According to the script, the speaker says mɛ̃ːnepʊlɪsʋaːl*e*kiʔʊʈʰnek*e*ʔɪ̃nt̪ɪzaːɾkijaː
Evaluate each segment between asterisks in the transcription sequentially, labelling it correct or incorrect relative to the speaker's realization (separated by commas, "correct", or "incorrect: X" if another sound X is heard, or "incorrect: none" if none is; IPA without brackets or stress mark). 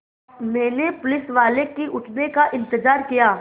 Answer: correct, incorrect: a